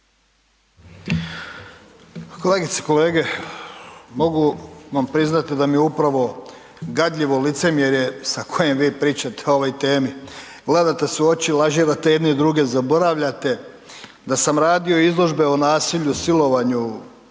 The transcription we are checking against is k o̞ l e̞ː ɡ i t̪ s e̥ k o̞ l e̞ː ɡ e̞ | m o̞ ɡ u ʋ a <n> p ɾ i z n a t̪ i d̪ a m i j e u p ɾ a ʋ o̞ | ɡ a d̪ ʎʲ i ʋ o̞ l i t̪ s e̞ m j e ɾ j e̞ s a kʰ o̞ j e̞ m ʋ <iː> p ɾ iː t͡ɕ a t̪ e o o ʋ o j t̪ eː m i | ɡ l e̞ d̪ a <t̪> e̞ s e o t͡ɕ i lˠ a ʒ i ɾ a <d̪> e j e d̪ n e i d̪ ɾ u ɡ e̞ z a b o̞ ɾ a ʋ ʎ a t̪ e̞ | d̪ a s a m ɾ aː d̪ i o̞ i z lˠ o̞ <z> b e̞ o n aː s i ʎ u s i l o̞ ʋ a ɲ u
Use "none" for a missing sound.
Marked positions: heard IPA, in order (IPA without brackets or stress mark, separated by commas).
m, iː, t̪, t̪, ʒ